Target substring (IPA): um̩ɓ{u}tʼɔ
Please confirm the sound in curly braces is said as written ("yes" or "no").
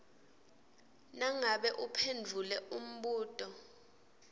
no